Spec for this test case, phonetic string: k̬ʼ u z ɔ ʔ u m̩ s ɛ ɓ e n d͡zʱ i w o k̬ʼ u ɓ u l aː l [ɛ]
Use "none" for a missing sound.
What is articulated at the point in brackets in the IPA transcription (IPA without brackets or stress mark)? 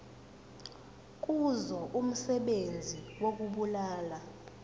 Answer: a